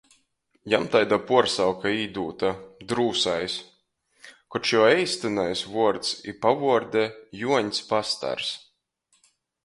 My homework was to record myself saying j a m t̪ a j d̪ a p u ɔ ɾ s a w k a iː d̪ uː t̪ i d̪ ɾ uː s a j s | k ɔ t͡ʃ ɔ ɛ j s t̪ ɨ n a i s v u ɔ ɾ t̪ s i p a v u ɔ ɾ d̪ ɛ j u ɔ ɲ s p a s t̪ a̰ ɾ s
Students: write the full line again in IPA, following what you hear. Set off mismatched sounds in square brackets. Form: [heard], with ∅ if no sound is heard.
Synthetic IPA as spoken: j a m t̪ a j d̪ a p u ɔ ɾ s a w k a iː d̪ uː t̪ [a] d̪ ɾ uː s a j s | k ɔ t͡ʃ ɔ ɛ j s t̪ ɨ n a [j] s v u ɔ ɾ t̪ s i p a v u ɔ ɾ d̪ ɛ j u ɔ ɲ s p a s t̪ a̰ ɾ s